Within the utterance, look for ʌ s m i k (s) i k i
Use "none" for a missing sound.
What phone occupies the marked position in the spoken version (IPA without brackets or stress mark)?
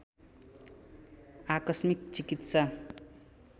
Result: t͡s